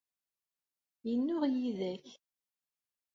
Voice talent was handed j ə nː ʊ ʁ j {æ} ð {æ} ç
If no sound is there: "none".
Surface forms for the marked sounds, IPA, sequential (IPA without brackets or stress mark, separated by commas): i, æ